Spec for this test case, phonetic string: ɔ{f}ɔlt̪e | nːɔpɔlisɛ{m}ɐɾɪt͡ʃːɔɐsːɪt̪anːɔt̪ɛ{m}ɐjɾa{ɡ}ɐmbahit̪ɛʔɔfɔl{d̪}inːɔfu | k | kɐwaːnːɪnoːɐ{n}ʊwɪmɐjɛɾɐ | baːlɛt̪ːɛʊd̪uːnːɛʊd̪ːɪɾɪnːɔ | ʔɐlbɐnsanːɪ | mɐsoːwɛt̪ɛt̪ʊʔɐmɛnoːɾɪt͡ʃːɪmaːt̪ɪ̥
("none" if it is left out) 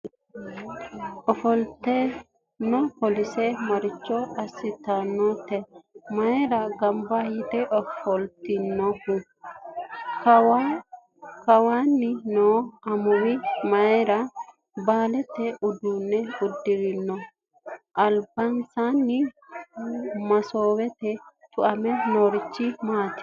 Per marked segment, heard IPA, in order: f, m, m, ɡ, t̪, m

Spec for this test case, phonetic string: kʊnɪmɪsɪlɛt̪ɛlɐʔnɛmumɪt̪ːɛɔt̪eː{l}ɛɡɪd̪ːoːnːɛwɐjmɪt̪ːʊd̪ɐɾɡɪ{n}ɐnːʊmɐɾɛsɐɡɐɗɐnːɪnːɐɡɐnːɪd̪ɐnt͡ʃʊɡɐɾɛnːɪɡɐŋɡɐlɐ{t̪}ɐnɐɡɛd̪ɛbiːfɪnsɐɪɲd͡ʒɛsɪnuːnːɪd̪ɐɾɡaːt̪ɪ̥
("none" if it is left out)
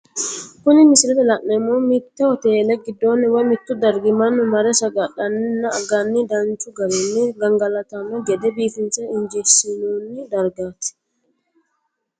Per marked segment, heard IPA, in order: l, m, t̪

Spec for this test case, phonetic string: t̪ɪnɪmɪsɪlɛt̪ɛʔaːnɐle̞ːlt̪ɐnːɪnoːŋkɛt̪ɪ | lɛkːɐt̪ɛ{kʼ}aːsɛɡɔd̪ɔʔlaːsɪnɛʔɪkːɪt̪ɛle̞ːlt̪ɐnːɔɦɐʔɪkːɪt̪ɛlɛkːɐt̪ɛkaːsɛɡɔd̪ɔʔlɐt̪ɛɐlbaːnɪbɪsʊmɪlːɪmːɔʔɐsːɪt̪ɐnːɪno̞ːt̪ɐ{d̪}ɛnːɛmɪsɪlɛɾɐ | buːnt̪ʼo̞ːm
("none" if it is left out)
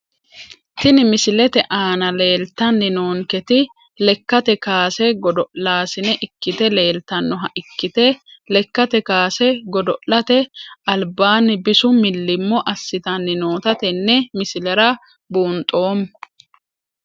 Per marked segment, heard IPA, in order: k, t̪

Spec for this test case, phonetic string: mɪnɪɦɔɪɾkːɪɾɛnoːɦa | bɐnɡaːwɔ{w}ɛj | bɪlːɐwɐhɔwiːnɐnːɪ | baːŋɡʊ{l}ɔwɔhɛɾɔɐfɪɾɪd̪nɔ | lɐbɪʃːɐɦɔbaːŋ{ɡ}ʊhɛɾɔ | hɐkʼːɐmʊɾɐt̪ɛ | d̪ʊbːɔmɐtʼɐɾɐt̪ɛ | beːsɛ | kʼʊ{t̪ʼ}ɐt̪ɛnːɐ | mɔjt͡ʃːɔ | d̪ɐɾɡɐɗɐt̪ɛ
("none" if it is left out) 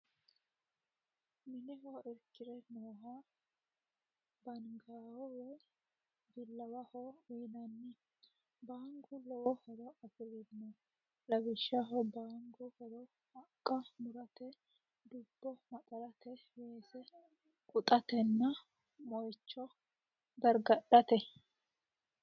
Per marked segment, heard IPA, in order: w, l, ɡ, t̪ʼ

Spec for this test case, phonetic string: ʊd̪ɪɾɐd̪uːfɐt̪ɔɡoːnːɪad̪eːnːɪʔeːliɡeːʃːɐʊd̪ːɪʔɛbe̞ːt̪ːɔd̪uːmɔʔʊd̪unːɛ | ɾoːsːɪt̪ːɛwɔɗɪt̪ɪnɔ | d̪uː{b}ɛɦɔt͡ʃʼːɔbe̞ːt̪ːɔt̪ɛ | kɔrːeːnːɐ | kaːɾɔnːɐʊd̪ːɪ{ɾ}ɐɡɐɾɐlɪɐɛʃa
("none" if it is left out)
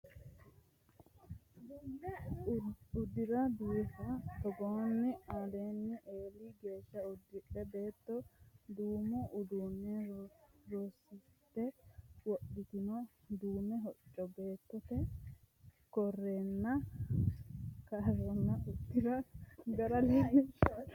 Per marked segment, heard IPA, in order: m, ɾ

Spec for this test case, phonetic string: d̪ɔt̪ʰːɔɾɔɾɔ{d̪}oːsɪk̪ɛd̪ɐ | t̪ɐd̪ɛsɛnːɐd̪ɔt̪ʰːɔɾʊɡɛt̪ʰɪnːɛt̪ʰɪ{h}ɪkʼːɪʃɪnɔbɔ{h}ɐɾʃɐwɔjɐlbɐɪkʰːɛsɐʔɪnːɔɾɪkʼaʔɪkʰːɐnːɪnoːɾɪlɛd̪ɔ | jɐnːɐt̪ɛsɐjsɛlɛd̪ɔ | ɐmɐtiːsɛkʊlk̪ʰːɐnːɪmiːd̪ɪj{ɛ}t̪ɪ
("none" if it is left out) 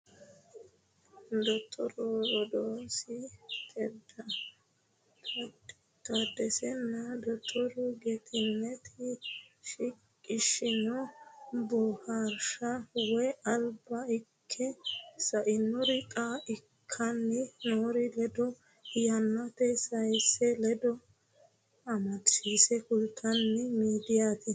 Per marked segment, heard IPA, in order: d̪, ʃ, h, a

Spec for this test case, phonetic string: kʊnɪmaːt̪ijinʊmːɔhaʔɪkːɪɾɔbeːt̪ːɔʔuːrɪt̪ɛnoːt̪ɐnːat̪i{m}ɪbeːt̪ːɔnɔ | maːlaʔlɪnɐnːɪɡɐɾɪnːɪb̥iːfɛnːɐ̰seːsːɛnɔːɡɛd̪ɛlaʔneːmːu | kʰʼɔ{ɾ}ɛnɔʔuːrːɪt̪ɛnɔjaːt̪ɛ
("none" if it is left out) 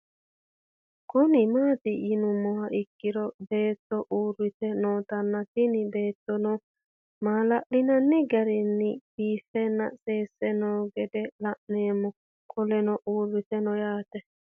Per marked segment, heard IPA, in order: n, l

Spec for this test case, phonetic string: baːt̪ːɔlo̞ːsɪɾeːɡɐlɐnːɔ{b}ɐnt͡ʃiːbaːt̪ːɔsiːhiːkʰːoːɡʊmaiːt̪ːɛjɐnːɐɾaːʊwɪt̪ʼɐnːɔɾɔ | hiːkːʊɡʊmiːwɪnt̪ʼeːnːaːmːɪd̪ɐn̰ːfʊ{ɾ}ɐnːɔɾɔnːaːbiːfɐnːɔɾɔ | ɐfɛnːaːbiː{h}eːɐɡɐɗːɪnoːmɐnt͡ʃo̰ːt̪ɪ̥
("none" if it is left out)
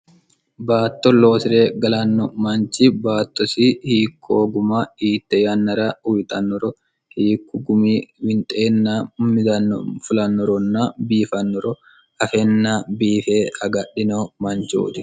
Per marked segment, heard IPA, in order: m, l, f

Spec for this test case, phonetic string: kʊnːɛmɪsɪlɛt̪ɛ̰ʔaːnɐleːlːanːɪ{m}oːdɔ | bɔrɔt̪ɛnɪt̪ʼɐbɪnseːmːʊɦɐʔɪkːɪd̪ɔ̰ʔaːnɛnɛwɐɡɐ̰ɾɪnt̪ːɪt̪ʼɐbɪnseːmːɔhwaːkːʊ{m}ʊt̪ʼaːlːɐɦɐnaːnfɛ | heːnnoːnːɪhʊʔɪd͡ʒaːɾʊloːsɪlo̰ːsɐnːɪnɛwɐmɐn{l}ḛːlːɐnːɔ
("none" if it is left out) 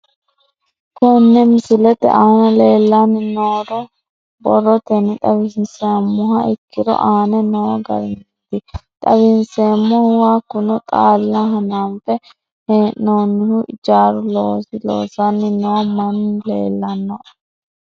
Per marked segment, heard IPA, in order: n, n, l

